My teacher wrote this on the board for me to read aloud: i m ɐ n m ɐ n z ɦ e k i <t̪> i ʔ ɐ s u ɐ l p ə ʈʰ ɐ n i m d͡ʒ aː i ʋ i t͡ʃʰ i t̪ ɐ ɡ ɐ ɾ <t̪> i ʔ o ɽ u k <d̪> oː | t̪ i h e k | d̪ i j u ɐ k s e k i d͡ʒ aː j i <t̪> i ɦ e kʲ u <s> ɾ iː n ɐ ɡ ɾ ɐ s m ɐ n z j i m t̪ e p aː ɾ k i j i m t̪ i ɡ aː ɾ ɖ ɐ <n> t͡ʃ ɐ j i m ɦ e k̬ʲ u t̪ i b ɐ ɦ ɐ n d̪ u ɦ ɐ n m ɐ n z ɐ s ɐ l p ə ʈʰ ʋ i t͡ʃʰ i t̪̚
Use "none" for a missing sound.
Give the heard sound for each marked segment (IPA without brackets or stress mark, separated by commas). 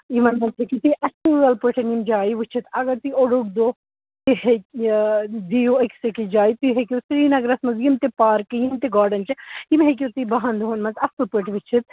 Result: t̪, t̪, d̪, t̪, s, n